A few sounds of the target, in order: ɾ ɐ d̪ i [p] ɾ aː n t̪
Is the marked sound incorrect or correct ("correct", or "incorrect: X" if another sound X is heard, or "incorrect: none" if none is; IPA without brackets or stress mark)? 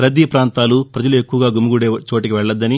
correct